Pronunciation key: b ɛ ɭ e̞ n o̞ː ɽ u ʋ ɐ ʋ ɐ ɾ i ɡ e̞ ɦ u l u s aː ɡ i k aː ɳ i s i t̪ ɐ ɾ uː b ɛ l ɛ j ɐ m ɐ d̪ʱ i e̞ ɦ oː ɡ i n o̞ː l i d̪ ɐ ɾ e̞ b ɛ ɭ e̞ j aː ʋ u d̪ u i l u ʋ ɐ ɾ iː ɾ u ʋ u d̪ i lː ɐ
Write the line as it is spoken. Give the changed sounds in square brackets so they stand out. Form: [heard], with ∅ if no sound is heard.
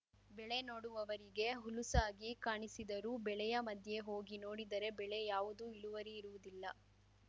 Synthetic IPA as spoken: b ɛ ɭ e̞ n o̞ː ɽ u ʋ ɐ ʋ ɐ ɾ i ɡ e̞ ɦ u l u s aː ɡ i k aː ɳ i s i [d̪] ɐ ɾ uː b ɛ [ɭ] ɛ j ɐ m ɐ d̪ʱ [j] e̞ ɦ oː ɡ i n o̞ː [ɽ] i d̪ ɐ ɾ e̞ b ɛ ɭ e̞ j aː ʋ u d̪ u i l u ʋ ɐ ɾ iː ɾ u ʋ u d̪ i lː ɐ